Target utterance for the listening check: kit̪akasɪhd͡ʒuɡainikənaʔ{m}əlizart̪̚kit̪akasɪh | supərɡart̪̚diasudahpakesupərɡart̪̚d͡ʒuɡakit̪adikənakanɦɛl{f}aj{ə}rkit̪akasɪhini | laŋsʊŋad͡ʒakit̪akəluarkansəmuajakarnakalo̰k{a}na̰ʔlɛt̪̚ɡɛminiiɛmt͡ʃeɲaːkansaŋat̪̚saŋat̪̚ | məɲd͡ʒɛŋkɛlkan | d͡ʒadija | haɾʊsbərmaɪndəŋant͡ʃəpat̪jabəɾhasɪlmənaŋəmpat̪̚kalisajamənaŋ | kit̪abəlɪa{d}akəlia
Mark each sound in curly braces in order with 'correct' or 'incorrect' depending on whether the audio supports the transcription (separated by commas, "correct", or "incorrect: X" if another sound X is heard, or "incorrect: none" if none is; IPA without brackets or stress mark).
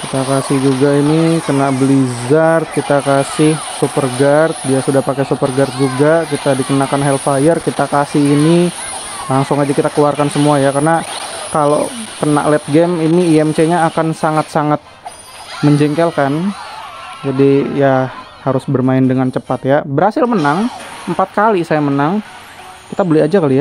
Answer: incorrect: b, correct, correct, incorrect: ə, incorrect: d͡ʒ